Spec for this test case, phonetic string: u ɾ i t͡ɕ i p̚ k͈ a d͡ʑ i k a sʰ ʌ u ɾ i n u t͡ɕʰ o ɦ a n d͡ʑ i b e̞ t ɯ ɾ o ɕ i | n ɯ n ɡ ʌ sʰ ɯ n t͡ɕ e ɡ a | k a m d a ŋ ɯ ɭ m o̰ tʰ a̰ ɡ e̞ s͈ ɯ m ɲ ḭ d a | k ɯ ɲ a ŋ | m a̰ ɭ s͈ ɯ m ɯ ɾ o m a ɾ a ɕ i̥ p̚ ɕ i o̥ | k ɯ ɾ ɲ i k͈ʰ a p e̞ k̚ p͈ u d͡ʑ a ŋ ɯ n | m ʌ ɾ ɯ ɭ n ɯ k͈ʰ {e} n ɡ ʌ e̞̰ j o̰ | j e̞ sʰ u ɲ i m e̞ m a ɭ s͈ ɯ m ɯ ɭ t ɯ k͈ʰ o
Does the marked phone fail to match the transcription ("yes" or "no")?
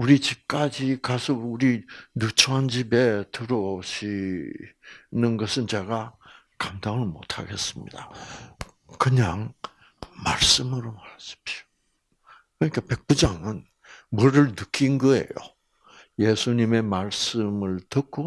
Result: yes